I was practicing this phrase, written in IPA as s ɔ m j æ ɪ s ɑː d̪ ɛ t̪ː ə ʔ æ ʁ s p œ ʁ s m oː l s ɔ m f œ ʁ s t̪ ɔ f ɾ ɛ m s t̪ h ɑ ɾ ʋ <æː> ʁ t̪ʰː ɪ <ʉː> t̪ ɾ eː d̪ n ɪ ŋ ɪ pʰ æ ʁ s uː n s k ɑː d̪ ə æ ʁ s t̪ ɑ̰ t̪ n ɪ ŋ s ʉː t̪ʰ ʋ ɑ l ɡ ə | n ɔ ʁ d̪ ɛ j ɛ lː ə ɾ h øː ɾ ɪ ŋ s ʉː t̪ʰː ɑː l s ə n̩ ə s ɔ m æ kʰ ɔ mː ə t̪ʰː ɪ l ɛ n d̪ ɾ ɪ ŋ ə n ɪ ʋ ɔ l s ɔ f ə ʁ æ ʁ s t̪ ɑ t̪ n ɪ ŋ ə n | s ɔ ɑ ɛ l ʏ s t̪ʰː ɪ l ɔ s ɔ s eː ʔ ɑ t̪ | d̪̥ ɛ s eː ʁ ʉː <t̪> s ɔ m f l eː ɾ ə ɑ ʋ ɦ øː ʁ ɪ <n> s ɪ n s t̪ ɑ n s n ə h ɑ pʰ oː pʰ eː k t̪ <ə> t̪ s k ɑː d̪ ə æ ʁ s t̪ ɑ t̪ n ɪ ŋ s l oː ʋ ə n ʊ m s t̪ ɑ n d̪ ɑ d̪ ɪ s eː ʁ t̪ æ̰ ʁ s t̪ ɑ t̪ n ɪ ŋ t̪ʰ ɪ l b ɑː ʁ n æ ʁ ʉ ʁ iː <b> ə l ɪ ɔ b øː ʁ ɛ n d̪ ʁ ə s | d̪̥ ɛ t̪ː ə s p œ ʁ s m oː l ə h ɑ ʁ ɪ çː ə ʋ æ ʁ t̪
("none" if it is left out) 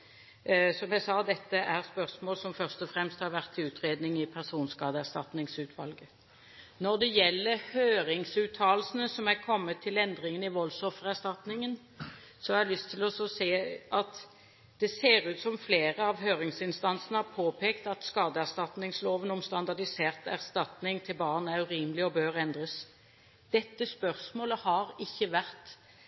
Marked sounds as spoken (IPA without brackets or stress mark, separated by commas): æ, ʉː, t̪, ŋ, ɑ, m